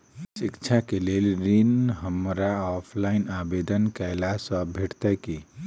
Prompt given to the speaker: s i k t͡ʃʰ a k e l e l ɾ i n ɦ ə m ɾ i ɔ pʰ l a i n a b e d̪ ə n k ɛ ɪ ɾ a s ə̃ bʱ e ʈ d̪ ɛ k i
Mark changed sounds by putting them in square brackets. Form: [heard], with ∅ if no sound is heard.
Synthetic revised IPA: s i k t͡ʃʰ a k e l e l ɾ i n ɦ ə m ɾ [a] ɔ pʰ l a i n a b e d̪ ə n k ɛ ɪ [l] a s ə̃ bʱ e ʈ [t̪] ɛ k i

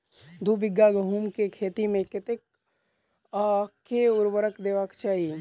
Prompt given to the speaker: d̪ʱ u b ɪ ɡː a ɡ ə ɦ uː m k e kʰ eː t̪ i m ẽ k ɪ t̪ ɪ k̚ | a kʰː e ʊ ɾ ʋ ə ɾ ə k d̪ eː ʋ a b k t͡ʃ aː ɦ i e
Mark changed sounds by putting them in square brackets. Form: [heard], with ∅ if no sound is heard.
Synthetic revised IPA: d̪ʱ u b ɪ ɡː a ɡ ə ɦ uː m k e kʰ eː t̪ i m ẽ k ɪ t̪ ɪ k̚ | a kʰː e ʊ ɾ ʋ ə ɾ ə k d̪ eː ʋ a [∅] k t͡ʃ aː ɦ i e

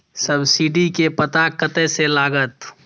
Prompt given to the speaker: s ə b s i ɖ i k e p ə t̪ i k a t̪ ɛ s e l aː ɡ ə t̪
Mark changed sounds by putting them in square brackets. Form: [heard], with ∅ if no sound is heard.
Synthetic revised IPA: s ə b s i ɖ i k e p ə t̪ [a] k [ə] t̪ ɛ s e l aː ɡ ə t̪

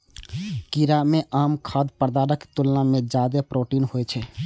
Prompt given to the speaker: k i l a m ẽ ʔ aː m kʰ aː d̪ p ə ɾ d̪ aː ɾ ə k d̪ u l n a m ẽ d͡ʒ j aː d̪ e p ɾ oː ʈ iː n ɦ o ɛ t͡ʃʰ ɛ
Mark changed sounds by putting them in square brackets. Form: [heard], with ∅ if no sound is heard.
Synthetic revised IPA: k i [ɾ] a m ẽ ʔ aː m kʰ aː d̪ p ə ɾ d̪ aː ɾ ə k [t̪] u l n a m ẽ d͡ʒ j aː d̪ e p ɾ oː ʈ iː n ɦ o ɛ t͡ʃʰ ɛ

